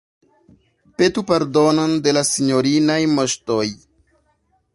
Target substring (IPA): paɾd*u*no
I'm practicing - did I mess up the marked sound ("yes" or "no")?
yes